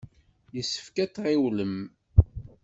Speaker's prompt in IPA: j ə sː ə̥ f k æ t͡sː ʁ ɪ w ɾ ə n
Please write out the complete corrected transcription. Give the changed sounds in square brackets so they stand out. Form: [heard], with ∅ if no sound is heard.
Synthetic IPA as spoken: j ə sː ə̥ f k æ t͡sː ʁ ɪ w [l] ə [m]